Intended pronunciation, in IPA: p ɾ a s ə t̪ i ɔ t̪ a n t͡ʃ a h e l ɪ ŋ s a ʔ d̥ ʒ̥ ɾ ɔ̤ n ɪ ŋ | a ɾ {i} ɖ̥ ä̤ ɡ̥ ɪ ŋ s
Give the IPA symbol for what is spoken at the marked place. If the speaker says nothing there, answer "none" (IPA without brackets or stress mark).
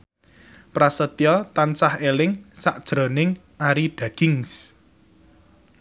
i